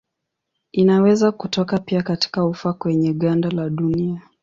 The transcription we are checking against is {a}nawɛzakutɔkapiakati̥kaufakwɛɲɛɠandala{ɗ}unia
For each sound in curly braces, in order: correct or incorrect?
incorrect: i, correct

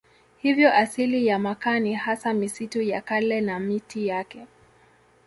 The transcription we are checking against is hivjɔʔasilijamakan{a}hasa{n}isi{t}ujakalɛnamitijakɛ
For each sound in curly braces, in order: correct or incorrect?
incorrect: i, incorrect: m, correct

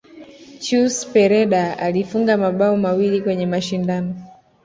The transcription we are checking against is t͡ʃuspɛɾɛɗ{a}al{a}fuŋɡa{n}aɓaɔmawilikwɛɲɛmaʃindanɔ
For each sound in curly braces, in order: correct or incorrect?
correct, incorrect: i, incorrect: m

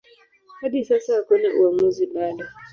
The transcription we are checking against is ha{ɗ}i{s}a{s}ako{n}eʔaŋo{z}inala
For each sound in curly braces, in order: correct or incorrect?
incorrect: d, correct, correct, correct, correct

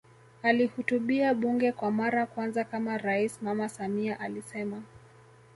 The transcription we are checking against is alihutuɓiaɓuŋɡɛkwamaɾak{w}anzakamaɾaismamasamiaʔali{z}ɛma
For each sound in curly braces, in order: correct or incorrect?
correct, incorrect: s

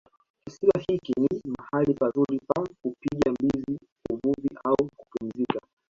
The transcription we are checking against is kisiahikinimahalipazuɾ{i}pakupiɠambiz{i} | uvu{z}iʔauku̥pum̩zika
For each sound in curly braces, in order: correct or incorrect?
correct, correct, incorrect: v

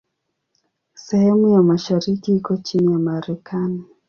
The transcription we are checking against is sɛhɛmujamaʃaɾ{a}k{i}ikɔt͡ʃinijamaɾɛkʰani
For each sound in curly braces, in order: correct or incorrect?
incorrect: i, correct

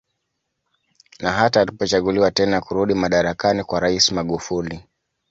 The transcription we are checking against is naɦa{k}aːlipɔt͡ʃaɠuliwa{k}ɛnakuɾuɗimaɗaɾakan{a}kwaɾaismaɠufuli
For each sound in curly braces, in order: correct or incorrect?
incorrect: t, incorrect: t, incorrect: i

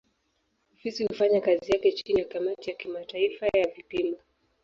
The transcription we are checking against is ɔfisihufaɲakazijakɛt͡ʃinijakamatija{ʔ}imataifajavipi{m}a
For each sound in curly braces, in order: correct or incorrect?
incorrect: k, correct

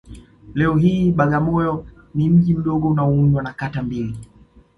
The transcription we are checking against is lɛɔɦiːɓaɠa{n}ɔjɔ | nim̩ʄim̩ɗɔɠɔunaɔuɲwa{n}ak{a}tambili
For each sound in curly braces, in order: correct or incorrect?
incorrect: m, correct, correct

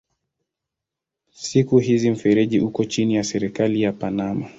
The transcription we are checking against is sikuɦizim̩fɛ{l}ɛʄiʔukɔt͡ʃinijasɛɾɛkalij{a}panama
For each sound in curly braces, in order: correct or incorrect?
incorrect: ɾ, correct

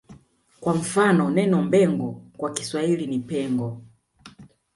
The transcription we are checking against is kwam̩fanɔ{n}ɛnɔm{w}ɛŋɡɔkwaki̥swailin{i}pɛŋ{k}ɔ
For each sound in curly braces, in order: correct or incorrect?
correct, incorrect: b, correct, incorrect: ɡ

